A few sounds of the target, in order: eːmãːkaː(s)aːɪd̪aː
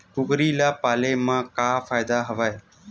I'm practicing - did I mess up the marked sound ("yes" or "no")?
yes